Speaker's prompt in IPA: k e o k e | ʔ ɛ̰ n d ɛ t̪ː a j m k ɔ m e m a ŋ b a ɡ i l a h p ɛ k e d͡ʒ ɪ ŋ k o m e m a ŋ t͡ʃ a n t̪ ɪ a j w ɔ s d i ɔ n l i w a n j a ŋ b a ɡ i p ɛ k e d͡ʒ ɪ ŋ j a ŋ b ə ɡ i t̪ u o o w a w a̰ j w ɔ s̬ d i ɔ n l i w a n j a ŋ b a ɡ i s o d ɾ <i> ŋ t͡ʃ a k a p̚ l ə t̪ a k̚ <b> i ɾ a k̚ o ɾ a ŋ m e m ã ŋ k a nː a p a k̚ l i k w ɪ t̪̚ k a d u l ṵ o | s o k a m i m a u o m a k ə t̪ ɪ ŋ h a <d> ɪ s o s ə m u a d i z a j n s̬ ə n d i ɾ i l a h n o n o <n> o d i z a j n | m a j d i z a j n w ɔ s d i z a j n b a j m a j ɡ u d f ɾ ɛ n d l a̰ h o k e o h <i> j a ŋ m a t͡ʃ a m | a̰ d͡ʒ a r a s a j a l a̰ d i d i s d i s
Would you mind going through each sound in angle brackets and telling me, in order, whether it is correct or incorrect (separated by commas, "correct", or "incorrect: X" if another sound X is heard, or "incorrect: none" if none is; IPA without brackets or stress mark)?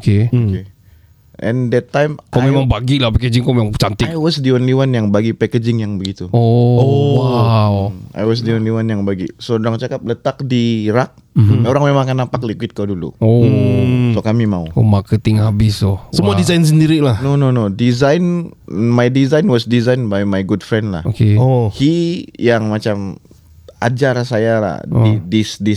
incorrect: a, incorrect: d, incorrect: b, correct, correct